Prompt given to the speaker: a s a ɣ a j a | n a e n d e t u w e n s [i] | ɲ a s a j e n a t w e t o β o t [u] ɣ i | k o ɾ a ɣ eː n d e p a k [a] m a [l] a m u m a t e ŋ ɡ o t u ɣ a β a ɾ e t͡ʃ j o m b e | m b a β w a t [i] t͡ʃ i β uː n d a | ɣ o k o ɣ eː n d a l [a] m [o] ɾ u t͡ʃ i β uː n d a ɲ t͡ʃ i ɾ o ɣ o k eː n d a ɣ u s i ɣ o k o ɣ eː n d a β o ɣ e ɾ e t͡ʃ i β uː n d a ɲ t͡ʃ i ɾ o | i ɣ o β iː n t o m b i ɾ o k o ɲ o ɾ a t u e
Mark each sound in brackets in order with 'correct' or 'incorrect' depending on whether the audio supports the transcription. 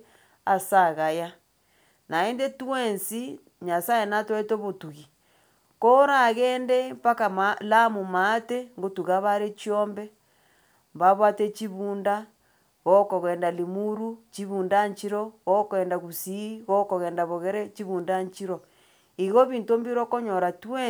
correct, correct, correct, correct, incorrect, incorrect, incorrect

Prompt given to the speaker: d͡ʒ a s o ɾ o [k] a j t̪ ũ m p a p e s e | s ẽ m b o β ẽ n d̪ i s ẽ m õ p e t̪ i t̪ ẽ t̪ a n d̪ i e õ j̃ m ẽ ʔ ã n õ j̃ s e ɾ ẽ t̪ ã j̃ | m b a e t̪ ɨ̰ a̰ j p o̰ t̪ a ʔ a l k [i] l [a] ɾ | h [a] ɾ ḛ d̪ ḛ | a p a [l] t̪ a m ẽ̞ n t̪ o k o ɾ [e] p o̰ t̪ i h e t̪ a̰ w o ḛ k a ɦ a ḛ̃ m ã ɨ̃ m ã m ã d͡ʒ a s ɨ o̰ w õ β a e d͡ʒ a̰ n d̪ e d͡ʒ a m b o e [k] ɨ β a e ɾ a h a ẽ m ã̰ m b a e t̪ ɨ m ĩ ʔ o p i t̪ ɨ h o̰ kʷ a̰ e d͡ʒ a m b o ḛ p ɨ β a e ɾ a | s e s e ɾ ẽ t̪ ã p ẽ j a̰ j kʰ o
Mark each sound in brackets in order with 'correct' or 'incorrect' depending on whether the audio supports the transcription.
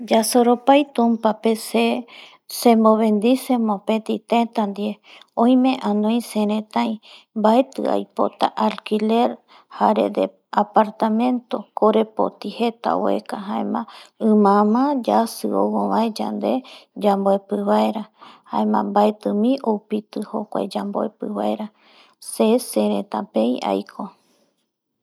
incorrect, correct, incorrect, correct, incorrect, correct, incorrect

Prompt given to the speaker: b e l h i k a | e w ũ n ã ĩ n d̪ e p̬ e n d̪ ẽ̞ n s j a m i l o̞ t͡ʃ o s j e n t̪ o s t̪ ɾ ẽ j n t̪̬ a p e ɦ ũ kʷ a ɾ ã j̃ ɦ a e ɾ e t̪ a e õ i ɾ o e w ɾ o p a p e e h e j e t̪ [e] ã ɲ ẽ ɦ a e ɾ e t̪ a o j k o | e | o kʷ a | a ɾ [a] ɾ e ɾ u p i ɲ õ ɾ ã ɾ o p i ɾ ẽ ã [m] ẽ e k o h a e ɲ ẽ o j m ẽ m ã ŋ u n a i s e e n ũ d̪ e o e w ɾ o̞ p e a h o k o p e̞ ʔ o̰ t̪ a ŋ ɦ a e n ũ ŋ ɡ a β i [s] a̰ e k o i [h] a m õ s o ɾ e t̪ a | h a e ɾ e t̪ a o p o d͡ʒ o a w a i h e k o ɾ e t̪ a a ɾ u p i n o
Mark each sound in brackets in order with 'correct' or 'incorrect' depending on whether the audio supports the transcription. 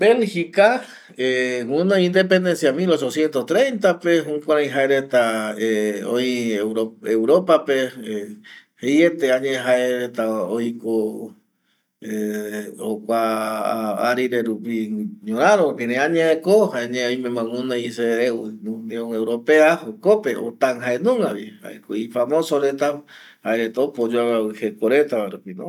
correct, incorrect, incorrect, incorrect, incorrect

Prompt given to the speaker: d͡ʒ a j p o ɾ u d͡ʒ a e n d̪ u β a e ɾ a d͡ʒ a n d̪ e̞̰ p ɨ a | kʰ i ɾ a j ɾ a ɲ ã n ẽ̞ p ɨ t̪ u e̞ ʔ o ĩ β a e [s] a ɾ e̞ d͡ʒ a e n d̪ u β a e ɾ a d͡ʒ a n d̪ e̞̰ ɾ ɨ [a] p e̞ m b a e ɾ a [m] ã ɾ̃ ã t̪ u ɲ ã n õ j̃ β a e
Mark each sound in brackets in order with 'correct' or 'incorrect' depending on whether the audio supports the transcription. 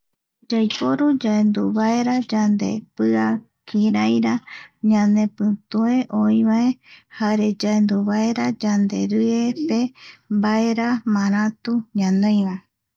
incorrect, incorrect, correct

